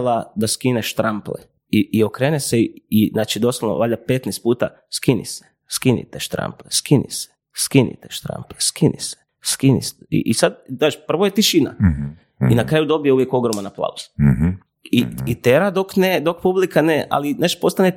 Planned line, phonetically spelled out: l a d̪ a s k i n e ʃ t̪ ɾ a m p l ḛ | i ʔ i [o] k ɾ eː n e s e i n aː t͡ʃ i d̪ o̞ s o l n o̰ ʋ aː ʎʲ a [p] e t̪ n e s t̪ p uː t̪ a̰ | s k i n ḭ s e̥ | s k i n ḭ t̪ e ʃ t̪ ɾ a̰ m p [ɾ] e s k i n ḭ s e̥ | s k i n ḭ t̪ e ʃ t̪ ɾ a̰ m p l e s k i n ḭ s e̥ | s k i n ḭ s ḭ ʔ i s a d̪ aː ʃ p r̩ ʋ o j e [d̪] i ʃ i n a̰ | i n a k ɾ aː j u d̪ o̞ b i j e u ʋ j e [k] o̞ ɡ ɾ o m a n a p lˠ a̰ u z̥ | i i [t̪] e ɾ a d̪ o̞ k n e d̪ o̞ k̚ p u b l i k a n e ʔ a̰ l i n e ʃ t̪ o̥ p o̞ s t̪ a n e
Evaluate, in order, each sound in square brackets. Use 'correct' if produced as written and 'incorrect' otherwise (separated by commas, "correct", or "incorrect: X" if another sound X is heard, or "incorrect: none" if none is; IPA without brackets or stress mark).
correct, correct, incorrect: l, incorrect: t̪, correct, correct